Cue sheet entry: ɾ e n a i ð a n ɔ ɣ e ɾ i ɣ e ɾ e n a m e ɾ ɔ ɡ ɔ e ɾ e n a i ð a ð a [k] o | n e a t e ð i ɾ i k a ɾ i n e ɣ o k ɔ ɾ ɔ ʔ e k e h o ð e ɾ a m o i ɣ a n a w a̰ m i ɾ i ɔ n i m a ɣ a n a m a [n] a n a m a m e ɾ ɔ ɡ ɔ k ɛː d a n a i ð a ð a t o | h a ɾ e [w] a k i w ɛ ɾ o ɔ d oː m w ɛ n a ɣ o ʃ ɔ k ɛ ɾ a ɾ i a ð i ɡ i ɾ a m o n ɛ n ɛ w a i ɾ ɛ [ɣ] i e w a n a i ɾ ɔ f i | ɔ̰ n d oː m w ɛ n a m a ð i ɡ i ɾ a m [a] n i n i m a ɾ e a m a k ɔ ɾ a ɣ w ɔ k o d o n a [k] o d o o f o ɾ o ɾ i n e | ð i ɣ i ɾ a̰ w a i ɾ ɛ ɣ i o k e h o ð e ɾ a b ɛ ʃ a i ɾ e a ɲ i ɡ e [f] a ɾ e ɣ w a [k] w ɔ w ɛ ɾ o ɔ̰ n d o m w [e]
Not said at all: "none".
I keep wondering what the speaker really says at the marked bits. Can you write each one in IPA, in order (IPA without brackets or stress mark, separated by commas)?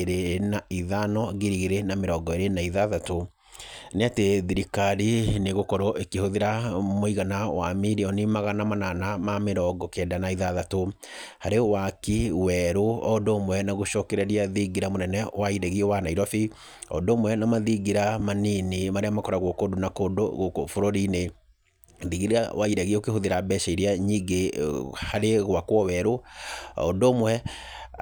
t, n, w, ɣ, a, k, h, k, ɛ